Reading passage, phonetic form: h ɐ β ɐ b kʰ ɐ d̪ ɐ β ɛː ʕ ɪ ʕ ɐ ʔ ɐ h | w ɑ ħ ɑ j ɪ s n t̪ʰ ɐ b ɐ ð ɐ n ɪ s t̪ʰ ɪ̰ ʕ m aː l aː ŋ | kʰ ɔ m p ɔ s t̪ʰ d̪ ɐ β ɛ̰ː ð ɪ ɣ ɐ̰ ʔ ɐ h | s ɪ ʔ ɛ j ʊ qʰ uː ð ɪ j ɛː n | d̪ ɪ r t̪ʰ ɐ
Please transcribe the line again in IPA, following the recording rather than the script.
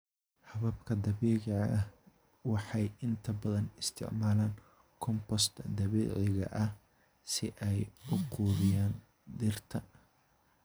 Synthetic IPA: h ɐ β ɐ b kʰ ɐ d̪ ɐ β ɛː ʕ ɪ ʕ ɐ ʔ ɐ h | w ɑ ħ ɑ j ɪ n t̪ʰ ɐ b ɐ ð ɐ n ɪ s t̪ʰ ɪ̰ ʕ m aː l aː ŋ | kʰ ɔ m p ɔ s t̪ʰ d̪ ɐ β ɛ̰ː ʕ ɪ ɣ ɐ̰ ʔ ɐ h | s ɪ ʔ ɛ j ʊ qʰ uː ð ɪ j aː n | d̪ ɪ r t̪ʰ ɐ

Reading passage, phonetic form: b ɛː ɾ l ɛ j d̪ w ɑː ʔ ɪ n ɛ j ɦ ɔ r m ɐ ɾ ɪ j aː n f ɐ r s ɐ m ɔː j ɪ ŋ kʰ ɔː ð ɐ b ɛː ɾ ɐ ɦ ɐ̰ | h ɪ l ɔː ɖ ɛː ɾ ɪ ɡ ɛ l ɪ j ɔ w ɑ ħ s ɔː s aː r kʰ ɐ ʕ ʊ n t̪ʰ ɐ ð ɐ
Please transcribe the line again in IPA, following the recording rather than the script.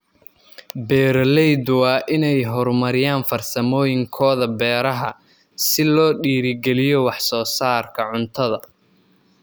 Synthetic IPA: b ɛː ɾ l ɛ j d̪ w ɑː ʔ ɪ n ɛ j ɦ ɔ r m ɐ ɾ ɪ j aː n f ɐ r s ɐ m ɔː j ɪ ŋ kʰ ɔː ð ɐ b ɛː ɾ ɐ ɦ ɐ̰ | s ɪ l ɔː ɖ iː ɾ ɪ ɡ ɛ l ɪ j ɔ w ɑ ħ s ɔː s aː r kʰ ɐ ʕ ʊ n t̪ʰ ɐ ð ɐ

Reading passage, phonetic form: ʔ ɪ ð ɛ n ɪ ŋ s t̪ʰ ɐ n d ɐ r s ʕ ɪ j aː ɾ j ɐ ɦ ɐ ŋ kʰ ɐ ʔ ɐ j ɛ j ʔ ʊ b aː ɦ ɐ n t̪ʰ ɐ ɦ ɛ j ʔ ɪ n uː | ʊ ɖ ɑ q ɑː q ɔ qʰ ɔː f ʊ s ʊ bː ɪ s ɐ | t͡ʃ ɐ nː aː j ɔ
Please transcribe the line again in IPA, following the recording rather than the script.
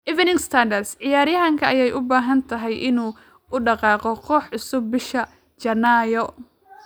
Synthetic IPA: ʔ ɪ v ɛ n ɪ ŋ s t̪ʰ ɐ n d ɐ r s ʕ ɪ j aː ɾ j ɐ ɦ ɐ ŋ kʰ ɐ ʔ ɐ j ɛ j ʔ ʊ b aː ɦ ɐ n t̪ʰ ɐ ɦ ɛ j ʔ ɪ n uː | ʊ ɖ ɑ q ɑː q ɔ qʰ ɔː ħ ʊ s ʊ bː ɪ ʃ ɐ | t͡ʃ ɐ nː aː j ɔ

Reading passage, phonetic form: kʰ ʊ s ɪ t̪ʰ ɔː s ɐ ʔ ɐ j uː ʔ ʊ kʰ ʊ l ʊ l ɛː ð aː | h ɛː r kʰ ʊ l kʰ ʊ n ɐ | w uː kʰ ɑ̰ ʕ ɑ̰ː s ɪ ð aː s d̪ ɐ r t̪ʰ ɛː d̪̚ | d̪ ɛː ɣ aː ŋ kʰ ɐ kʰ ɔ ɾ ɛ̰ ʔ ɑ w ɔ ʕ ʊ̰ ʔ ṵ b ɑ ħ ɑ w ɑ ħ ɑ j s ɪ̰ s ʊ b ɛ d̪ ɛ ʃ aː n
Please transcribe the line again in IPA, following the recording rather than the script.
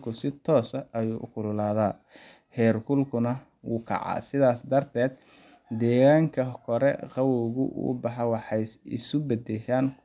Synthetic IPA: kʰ ʊ s ɪ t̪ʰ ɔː s ɐ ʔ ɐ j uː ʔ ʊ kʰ ʊ l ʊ l aː ð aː | h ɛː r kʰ ʊ l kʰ ʊ n ɐ | w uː kʰ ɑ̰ ʕ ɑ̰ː s ɪ ð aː s d̪ ɐ r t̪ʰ ɛː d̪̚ | d̪ ɛː ɣ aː ŋ kʰ ɐ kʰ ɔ ɾ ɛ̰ q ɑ w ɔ ɣ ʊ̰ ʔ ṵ b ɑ ħ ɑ w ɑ ħ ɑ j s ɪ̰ s ʊ b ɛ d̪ ɛ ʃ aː n

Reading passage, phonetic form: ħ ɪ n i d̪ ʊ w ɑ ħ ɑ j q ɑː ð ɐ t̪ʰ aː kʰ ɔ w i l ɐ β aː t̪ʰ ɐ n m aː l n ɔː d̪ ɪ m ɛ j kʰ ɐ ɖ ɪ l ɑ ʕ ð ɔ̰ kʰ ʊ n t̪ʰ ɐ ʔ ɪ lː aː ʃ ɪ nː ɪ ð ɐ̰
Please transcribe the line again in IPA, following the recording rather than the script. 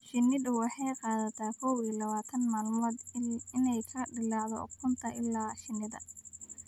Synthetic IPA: ʃ ɪ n ɪ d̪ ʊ w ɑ ħ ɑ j q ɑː ð ɐ t̪ʰ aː kʰ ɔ w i l ɐ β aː t̪ʰ ɐ n m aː l m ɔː d̪ ɪ n ɛ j kʰ ɐ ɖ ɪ l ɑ ʕ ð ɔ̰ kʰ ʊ n t̪ʰ ɐ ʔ ɪ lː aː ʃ ɪ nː ɪ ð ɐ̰

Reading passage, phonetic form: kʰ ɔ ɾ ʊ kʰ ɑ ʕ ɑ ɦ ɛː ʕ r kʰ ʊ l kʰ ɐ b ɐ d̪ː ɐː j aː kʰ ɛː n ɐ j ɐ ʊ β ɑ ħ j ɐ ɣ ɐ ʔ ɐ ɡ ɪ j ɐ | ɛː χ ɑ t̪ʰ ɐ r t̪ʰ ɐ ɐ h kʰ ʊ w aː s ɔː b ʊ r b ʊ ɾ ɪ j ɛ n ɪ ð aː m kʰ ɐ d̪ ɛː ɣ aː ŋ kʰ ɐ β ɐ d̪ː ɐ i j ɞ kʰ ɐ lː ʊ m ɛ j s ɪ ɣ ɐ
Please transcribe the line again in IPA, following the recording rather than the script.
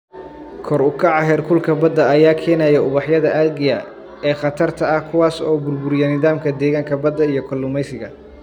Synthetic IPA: kʰ ɔ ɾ ʊ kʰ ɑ ʕ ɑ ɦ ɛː r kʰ ʊ l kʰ ɐ b ɐ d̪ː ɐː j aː kʰ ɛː n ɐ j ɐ ʊ β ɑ ħ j ɐ ð ɐ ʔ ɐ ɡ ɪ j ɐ | ɛː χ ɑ t̪ʰ ɐ r t̪ʰ ɐ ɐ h kʰ ʊ w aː s ɔː b ʊ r b ʊ ɾ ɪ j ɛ n ɪ ð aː m kʰ ɐ d̪ ɛː ɣ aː ŋ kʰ ɐ b ɐ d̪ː ɐ i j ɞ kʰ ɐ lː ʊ m ɛ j s ɪ ɣ ɐ

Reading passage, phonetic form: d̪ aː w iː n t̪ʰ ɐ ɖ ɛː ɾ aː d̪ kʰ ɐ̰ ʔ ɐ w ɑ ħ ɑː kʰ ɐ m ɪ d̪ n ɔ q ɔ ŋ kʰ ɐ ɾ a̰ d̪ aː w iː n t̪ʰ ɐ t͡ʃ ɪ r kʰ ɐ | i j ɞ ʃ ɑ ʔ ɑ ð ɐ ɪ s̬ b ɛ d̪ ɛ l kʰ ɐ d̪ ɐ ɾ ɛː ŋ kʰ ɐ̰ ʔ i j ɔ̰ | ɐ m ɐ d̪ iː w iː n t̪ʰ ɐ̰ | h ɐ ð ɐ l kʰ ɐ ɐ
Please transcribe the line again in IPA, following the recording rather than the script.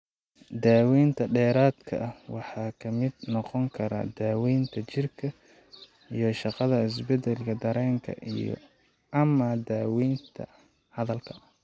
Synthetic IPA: d̪ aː w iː n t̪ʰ ɐ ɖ ɛː ɾ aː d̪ kʰ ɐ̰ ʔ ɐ w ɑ ħ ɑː kʰ ɐ m ɪ d̪ n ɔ q ɔ ŋ kʰ ɐ ɾ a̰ d̪ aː w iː n t̪ʰ ɐ t͡ʃ ɪ r kʰ ɐ | i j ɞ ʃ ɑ q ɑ ð ɐ ɪ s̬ b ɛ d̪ ɛ l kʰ ɐ d̪ ɐ ɾ ɛː ŋ kʰ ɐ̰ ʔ i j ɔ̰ | ɐ m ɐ d̪ aː w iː n t̪ʰ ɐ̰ | h ɐ ð ɐ l kʰ ɐ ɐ

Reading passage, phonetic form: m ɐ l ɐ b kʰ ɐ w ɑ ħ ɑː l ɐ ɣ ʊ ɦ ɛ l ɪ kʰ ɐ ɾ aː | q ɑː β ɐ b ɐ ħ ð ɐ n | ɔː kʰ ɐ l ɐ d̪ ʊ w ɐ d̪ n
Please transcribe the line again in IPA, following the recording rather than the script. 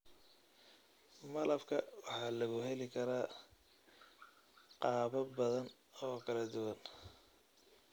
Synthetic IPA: m ɐ l ɐ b kʰ ɐ w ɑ ħ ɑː l ɐ ɣ ʊ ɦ ɛ l ɪ kʰ ɐ ɾ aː | q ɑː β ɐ b ɐ ð ɐ n | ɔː kʰ ɐ l ɐ d̪ ʊ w ɐ n

